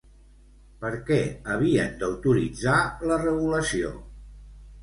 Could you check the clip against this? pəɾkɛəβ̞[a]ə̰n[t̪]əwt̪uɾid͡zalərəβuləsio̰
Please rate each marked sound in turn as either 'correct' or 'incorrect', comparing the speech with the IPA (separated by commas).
incorrect, incorrect